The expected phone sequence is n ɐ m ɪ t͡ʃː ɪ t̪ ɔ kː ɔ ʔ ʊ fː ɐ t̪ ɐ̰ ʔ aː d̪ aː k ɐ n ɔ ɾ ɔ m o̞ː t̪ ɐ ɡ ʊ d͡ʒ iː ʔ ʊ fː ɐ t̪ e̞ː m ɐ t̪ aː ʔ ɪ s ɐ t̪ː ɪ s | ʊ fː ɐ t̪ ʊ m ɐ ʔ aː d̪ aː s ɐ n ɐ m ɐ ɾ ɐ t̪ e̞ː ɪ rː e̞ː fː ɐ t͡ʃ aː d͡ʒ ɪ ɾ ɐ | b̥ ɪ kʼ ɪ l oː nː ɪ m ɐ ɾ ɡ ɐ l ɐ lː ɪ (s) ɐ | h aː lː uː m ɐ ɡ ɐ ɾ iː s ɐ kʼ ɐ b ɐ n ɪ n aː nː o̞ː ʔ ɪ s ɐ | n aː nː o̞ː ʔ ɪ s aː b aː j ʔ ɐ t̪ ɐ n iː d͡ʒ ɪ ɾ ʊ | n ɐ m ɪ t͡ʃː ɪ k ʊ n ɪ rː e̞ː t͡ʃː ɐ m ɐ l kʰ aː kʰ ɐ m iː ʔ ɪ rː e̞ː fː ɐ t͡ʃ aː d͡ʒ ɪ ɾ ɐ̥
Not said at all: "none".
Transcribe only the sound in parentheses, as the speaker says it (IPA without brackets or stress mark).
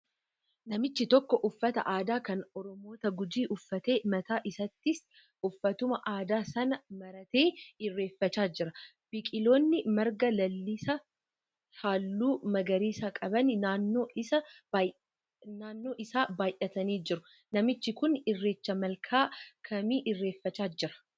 s